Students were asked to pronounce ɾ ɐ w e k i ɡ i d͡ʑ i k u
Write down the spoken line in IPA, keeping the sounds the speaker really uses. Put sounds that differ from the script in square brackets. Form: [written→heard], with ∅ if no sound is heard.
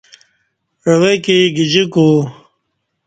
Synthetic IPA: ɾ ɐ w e k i ɡ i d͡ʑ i k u